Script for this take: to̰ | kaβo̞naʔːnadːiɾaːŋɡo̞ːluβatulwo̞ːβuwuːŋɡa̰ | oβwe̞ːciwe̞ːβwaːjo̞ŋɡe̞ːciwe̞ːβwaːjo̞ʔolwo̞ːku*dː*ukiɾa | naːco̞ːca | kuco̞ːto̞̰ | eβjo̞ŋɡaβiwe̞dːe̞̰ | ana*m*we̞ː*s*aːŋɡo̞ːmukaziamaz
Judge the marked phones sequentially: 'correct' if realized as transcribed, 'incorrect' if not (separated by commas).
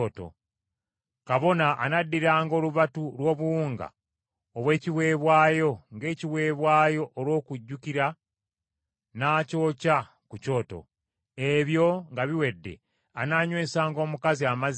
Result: incorrect, incorrect, correct